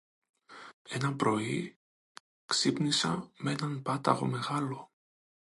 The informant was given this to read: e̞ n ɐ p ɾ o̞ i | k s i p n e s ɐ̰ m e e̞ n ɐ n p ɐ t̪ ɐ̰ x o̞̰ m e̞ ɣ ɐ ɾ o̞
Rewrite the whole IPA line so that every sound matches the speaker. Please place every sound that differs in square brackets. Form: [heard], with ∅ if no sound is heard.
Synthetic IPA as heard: e̞ n ɐ p ɾ o̞ i | k s i p n [i] s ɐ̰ m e e̞ n ɐ n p ɐ t̪ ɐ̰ [ɣ] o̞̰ m e̞ ɣ ɐ [l] o̞